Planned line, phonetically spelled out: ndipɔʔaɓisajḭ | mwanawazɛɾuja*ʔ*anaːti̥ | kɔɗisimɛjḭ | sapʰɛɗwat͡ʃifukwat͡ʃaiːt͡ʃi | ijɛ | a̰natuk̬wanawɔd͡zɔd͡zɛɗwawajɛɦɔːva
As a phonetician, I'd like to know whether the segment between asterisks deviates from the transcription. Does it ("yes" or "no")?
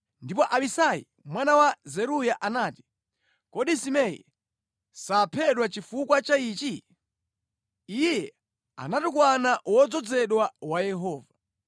no